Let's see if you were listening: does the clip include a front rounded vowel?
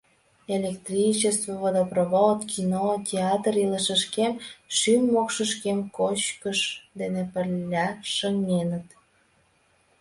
yes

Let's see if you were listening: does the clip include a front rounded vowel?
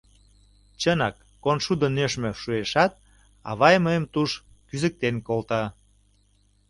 yes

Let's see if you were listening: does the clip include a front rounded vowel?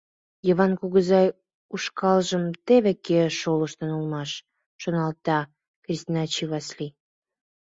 no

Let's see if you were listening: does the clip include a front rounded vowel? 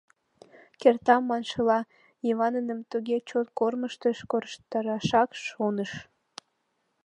no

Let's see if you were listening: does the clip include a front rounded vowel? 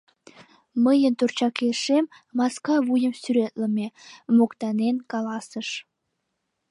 yes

